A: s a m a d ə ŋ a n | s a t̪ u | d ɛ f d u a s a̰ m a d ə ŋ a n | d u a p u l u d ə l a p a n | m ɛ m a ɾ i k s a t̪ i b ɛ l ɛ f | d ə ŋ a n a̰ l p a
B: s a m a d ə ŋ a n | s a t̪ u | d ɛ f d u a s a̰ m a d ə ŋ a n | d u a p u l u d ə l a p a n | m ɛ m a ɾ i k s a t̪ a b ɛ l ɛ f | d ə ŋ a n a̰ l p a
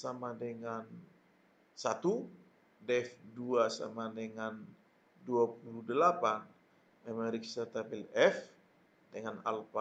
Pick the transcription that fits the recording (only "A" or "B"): B